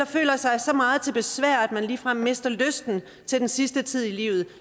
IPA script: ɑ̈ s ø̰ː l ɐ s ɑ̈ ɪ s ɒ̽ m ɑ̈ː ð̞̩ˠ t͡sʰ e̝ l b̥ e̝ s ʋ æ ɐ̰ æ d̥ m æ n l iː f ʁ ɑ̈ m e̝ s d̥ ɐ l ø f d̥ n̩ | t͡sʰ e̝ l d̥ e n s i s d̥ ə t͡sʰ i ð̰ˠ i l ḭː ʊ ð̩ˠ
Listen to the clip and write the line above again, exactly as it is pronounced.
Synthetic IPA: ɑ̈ f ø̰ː l ɐ s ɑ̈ ɪ s ɒ̽ m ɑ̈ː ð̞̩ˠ t͡sʰ e̝ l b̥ e̝ s ʋ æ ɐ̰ æ d̥ m æ n l iː f ʁ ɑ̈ m e̝ s d̥ ɐ l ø s d̥ n̩ | t͡sʰ e̝ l d̥ e n s i s d̥ ə t͡sʰ i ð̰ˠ i l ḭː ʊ ð̩ˠ